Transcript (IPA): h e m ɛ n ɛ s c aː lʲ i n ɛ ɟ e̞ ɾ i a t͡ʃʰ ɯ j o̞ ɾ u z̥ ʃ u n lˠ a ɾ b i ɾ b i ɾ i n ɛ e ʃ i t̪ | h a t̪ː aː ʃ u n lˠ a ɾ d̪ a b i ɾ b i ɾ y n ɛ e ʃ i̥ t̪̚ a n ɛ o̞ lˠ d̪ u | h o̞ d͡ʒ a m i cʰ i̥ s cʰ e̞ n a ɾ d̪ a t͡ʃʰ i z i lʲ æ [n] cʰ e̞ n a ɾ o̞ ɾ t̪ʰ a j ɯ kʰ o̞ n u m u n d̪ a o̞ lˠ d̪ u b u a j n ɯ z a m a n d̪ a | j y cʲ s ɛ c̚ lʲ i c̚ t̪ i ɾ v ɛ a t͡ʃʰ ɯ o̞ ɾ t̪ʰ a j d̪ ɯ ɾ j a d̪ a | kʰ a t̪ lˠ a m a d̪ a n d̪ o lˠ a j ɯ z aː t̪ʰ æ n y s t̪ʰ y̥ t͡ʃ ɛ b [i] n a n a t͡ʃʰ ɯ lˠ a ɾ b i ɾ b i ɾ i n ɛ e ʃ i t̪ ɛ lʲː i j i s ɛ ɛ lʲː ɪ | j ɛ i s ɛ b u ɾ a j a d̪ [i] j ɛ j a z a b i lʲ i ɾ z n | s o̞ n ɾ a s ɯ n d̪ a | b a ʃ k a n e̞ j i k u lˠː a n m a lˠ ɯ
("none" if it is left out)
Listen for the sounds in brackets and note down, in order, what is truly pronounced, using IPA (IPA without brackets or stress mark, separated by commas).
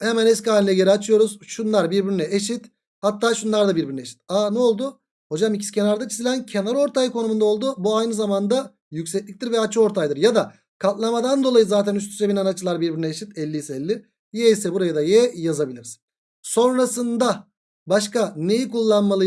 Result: n, i, a